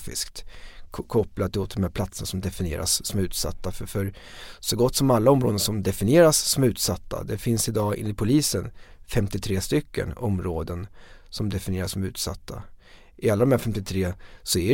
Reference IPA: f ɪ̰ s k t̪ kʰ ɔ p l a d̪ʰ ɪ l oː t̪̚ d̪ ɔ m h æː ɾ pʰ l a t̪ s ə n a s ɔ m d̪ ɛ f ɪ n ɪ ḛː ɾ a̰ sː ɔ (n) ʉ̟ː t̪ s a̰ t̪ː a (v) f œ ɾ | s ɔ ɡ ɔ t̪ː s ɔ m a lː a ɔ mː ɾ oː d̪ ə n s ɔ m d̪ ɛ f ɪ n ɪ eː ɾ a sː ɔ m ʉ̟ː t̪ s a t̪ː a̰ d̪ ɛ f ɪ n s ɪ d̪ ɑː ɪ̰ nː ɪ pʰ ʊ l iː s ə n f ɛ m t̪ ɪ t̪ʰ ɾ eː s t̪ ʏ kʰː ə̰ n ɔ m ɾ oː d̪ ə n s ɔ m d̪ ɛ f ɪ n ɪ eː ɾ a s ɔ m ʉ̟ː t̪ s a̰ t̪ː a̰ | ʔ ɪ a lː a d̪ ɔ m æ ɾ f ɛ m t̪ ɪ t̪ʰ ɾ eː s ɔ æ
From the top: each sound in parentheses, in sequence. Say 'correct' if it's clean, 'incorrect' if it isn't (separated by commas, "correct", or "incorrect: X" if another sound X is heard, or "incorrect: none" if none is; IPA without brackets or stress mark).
incorrect: m, incorrect: f